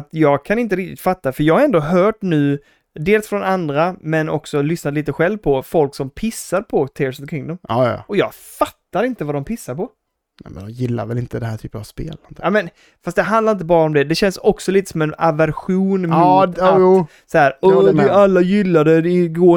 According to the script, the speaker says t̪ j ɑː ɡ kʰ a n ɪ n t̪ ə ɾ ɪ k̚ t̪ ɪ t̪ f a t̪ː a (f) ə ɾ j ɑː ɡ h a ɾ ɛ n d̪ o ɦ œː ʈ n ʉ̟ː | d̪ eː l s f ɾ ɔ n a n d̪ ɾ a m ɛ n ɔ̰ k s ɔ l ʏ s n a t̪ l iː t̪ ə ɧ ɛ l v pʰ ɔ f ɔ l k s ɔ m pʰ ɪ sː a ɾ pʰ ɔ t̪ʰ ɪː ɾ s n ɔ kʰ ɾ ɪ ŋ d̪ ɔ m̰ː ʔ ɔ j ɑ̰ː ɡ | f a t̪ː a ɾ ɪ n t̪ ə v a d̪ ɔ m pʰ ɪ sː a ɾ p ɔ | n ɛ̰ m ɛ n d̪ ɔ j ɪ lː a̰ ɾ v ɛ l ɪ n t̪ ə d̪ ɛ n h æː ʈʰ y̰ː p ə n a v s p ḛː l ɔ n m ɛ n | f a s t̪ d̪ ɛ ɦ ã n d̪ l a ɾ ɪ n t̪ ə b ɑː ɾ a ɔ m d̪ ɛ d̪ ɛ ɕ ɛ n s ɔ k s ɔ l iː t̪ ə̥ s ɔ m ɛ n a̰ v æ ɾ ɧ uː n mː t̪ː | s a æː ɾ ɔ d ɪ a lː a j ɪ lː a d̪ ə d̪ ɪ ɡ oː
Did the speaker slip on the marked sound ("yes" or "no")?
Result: no